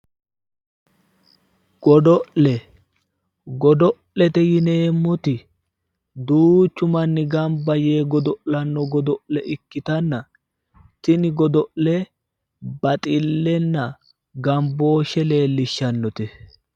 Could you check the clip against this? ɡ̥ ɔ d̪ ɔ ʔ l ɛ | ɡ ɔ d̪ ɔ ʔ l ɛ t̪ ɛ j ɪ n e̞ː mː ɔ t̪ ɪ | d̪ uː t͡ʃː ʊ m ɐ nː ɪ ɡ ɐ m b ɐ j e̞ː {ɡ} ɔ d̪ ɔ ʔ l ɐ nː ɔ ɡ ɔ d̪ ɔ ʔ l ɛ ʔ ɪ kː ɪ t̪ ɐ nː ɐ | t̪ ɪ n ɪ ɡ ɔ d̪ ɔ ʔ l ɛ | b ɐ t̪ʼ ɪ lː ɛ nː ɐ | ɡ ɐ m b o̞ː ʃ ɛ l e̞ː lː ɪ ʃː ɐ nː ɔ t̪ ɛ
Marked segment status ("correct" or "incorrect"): correct